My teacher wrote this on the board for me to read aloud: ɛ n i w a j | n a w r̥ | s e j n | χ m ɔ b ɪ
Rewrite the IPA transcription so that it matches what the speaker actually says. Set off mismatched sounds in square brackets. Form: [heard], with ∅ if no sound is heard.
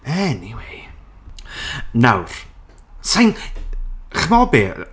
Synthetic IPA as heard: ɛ n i w [e] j | n a w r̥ | s [a] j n | χ m ɔ b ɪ